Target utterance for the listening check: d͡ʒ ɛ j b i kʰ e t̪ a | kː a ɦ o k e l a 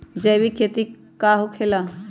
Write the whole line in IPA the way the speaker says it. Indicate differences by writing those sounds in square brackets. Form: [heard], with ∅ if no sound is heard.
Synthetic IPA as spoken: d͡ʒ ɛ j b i kʰ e t̪ [i] | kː a ɦ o [kʰ] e l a